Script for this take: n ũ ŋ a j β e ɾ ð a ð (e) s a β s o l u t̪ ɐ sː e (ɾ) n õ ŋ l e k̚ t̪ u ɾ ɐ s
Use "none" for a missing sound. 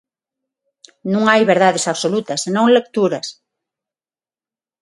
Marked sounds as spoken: e, none

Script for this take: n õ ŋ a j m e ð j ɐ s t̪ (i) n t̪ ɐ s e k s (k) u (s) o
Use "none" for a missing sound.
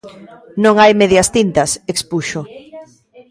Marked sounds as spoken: i, p, ʃ

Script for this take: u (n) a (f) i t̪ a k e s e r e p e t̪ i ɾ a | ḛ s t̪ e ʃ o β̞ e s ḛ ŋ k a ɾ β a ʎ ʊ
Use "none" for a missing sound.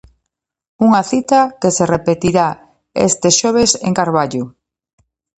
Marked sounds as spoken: ŋ, θ

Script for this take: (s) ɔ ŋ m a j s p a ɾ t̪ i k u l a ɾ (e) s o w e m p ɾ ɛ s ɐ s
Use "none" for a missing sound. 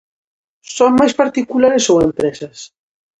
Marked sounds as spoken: s, e

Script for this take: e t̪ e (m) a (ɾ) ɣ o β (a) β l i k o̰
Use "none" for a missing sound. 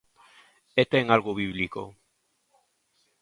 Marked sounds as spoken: ŋ, l, i

